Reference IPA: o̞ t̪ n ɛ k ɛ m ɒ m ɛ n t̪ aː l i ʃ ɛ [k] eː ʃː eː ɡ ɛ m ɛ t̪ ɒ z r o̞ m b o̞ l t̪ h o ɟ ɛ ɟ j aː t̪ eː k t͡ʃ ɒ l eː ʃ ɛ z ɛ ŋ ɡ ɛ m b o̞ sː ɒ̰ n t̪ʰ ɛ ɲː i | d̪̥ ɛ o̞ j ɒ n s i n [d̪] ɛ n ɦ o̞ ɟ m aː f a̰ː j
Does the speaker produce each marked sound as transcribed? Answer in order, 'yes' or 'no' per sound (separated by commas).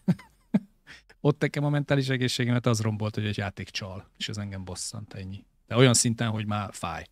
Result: no, no